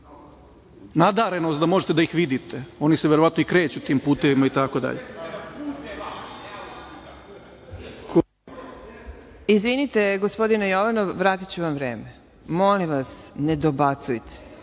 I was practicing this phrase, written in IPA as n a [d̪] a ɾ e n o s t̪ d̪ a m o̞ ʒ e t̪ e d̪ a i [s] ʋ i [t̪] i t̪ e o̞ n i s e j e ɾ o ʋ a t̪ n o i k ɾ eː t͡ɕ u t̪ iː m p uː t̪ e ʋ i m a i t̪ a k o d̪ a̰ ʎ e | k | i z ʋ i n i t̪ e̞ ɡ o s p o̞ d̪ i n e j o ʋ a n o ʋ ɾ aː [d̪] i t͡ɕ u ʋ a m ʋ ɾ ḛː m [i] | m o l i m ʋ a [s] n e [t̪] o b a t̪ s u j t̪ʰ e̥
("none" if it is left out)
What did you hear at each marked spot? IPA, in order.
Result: d̪, x, d̪, t̪, e, s, d̪

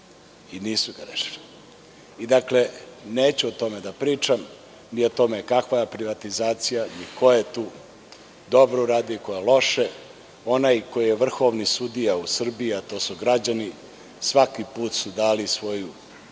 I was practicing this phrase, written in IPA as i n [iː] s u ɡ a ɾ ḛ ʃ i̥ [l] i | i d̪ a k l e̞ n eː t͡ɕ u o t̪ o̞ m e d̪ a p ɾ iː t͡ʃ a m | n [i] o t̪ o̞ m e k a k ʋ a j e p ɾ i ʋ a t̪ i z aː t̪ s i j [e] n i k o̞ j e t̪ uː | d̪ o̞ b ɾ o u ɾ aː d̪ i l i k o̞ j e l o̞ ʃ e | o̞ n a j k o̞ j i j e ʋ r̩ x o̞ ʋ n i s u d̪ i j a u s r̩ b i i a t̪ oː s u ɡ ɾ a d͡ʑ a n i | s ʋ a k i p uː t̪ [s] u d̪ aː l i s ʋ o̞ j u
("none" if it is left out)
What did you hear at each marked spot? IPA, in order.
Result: iː, l, i, a, s

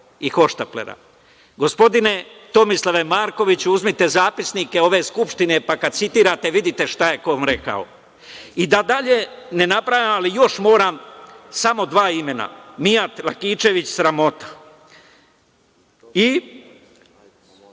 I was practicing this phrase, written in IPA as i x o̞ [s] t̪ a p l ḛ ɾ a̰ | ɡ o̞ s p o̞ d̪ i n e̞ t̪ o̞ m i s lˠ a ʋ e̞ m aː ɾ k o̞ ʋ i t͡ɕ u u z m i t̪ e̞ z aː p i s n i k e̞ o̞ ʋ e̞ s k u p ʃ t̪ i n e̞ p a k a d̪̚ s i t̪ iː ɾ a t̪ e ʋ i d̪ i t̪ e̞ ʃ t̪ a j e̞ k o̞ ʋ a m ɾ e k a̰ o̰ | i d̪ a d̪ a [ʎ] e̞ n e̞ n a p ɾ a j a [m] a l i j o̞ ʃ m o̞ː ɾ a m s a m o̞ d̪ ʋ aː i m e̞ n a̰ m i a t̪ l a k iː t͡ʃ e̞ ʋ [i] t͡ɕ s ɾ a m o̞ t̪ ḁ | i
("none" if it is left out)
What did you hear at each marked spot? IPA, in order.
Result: ʃ, ʎ, m, i

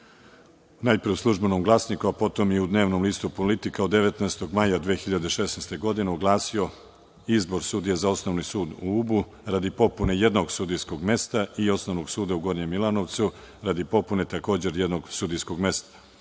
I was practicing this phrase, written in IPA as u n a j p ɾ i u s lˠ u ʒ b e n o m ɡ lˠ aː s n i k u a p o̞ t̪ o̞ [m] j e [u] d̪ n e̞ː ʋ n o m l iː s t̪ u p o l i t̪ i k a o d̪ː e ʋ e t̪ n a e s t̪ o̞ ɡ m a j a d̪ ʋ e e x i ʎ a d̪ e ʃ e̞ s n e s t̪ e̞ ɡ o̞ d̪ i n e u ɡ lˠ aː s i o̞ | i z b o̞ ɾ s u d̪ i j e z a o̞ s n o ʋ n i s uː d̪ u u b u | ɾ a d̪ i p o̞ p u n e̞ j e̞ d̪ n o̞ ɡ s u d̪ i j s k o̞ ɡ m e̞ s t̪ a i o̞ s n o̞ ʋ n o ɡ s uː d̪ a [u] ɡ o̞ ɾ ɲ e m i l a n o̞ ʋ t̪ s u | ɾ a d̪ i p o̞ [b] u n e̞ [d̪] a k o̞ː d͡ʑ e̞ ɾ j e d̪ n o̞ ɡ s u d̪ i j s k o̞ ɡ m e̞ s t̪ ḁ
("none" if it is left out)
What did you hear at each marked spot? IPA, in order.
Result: m, u, u, p, t̪

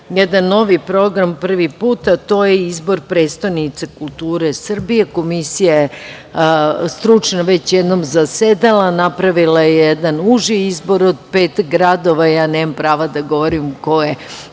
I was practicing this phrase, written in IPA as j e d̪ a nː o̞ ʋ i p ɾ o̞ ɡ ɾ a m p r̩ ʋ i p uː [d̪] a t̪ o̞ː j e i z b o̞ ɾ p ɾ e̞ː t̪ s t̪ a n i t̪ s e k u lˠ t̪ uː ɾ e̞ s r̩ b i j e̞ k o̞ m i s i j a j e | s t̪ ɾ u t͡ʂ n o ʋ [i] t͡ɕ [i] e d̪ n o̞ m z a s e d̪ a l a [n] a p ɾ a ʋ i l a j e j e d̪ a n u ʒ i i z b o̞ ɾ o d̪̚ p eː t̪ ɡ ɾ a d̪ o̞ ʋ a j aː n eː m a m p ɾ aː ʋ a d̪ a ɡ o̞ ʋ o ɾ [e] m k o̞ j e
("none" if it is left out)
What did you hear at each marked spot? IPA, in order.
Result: t̪, e, j, n, i

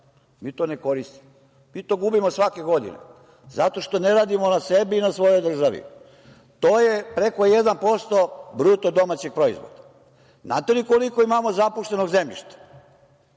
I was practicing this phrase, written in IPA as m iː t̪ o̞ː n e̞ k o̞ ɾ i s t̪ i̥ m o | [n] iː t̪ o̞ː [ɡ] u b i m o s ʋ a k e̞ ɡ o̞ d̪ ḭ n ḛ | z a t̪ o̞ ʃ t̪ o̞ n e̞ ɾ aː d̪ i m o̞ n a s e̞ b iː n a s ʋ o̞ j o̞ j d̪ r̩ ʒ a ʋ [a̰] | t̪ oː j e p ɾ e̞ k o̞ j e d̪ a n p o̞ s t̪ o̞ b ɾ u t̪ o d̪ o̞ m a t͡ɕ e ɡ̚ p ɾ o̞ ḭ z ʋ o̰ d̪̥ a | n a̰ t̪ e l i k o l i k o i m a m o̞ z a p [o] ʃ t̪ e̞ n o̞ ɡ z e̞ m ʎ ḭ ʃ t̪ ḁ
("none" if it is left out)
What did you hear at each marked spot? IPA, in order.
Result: m, ɡ, ḭ, u

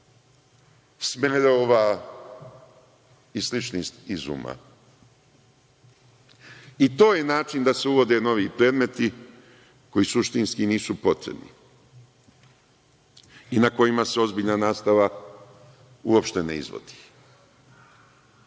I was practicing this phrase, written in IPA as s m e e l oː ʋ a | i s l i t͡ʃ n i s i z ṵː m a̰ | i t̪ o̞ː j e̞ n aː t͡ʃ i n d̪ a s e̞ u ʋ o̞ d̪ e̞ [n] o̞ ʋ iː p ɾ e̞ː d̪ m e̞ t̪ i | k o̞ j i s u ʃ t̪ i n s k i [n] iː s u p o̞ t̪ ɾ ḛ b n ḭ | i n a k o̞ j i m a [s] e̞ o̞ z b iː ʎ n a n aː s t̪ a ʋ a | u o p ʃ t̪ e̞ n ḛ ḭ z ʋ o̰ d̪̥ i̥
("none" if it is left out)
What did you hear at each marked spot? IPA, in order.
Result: n, n, s

